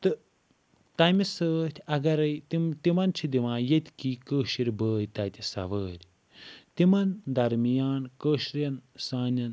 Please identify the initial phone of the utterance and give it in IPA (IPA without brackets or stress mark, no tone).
t̪